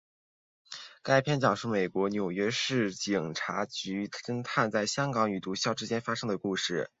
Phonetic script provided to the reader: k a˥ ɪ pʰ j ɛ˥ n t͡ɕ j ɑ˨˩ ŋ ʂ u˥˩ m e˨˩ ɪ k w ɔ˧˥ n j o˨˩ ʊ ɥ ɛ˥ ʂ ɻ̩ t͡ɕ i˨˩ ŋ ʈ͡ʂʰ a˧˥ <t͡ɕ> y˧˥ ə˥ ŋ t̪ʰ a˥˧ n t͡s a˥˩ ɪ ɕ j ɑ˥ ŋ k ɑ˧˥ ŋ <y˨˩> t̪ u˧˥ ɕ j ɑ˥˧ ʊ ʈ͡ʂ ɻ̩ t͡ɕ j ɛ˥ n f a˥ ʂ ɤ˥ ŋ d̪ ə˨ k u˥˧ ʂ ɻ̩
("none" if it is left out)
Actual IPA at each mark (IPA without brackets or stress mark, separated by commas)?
t͡ɕ, y˨˩